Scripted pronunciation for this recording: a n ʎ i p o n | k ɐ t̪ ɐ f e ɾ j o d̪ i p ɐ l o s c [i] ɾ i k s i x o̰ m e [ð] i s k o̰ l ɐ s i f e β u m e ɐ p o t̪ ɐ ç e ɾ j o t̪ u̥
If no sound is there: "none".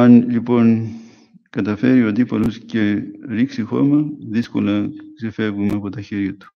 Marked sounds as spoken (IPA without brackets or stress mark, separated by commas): e, ð